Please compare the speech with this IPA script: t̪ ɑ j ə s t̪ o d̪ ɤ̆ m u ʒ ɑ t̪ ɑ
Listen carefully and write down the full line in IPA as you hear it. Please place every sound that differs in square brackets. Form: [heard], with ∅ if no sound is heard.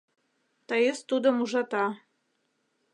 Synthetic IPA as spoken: t̪ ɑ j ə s t̪ [u] d̪ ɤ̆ m u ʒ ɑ t̪ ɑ

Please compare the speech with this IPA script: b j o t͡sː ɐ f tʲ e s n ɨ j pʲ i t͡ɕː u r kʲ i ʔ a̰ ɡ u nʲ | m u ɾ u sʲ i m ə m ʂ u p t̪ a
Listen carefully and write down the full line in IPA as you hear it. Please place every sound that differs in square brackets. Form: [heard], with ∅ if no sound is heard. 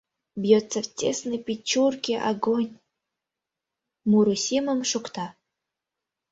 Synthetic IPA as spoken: b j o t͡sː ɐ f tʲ e s n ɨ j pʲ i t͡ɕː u r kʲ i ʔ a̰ ɡ [o] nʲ | m u ɾ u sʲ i m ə m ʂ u [k] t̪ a

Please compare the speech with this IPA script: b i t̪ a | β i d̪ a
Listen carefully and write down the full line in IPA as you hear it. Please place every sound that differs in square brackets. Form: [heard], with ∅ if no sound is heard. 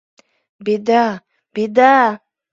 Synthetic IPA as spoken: b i [d̪] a | [b] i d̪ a

